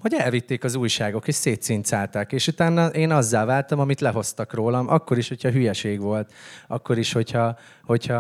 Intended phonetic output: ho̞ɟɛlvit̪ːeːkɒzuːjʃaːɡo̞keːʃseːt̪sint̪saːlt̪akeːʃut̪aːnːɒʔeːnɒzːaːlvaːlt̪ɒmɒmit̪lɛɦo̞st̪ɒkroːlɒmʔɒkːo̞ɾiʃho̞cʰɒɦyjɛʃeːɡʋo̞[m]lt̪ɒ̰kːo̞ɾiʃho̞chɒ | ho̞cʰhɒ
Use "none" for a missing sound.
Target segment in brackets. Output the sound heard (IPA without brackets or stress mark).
none